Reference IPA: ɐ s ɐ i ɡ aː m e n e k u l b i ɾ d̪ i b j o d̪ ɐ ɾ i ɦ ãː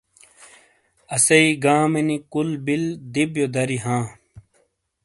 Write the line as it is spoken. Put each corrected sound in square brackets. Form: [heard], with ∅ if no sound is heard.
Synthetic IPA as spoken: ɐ s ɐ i ɡ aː m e n [i] k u l b i [l] d̪ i b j o d̪ ɐ ɾ i ɦ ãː